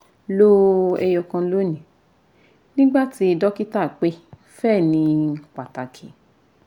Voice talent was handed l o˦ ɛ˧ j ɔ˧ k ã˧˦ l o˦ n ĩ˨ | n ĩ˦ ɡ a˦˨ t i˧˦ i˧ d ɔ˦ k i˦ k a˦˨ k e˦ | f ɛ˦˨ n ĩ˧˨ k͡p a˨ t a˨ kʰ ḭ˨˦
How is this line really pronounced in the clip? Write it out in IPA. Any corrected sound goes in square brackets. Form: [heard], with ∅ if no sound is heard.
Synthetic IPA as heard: l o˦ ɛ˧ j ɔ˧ k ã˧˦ l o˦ n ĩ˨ | n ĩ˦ [ɡ͡b] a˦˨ t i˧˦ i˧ d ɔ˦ k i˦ [t] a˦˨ [k͡p] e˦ | f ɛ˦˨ n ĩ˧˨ k͡p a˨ t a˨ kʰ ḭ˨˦